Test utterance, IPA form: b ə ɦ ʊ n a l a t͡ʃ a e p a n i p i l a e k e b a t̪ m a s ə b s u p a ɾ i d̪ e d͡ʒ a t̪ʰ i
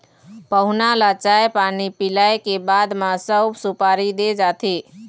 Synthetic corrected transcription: p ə ɦ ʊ n a l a t͡ʃ a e p a n i p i l a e k e b a d̪ m a s ə b s u p a ɾ i d̪ e d͡ʒ a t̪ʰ i